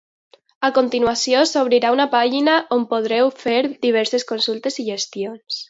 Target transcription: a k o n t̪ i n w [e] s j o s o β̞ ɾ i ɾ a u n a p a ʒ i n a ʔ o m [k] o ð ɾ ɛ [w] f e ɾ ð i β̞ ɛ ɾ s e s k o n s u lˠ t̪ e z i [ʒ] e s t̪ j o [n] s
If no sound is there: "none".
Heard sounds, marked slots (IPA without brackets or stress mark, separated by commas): a, p, w, ʒ, n